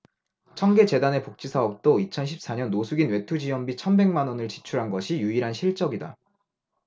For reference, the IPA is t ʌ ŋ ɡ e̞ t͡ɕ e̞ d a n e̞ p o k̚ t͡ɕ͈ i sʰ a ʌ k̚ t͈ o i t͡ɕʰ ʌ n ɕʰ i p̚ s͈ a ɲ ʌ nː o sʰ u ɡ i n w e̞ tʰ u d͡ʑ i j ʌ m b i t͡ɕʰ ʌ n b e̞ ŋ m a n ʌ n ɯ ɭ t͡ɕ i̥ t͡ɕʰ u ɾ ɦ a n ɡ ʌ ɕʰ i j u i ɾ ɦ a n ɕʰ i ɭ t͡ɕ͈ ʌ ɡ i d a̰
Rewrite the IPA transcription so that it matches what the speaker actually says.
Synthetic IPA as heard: t͡ɕʰ ʌ ŋ ɡ e̞ t͡ɕ e̞ d a n e̞ p o k̚ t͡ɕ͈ i sʰ a ʌ p̚ t͈ o i t͡ɕʰ ʌ n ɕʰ i p̚ s͈ a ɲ ʌ nː o sʰ u ɡ i n w e̞ tʰ u d͡ʑ i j ʌ m b i t͡ɕʰ ʌ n b e̞ ŋ m a n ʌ n ɯ ɭ t͡ɕ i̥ t͡ɕʰ u ɾ ɦ a n ɡ ʌ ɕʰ i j u i ɾ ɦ a n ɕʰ i ɭ t͡ɕ͈ ʌ ɡ i d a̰